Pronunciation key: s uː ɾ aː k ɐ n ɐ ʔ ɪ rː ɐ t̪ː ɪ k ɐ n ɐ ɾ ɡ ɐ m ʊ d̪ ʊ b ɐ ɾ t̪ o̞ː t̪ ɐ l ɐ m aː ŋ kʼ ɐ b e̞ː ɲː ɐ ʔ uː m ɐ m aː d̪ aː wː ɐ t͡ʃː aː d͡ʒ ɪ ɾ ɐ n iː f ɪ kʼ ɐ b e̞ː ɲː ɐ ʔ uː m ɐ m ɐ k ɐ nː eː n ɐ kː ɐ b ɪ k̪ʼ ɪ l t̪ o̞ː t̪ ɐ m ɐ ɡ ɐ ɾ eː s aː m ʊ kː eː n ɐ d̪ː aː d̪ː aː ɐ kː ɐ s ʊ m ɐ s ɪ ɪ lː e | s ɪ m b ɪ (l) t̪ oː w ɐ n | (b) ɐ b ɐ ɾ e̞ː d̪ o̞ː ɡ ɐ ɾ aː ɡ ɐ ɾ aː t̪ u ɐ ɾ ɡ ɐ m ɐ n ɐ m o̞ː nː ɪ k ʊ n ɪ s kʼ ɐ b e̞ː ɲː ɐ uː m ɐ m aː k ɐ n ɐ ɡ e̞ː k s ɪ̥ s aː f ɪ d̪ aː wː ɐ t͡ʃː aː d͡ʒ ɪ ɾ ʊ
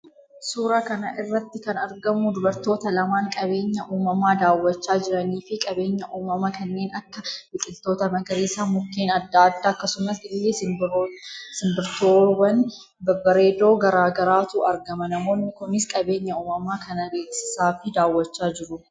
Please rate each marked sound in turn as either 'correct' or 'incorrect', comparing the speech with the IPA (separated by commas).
incorrect, correct